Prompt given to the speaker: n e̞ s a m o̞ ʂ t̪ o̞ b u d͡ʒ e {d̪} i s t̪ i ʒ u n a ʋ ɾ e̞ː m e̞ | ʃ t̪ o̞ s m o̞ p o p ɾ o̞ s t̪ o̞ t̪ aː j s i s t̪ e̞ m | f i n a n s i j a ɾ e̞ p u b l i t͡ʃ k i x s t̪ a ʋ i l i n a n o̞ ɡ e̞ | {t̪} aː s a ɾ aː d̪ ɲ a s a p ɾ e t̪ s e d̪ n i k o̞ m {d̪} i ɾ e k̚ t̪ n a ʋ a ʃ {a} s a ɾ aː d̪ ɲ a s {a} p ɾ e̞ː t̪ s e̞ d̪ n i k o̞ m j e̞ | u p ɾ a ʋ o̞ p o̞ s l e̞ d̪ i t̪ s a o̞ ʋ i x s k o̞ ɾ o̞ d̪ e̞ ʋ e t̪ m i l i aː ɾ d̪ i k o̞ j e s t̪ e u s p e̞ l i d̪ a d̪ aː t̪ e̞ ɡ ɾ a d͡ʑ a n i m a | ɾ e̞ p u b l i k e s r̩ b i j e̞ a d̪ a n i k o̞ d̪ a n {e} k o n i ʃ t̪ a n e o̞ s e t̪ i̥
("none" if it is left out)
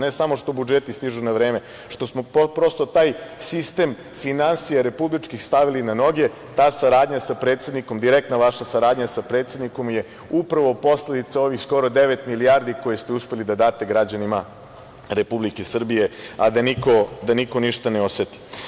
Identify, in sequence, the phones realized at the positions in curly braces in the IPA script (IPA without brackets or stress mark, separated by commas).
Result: t̪, t̪, d̪, a, a, i